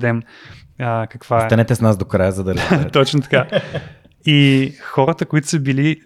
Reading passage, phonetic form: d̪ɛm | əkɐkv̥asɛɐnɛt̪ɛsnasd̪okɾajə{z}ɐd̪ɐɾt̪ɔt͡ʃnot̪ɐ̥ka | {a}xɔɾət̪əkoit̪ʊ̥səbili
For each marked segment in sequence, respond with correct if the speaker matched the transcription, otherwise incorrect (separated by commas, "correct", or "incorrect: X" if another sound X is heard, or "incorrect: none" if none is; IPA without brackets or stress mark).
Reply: correct, incorrect: i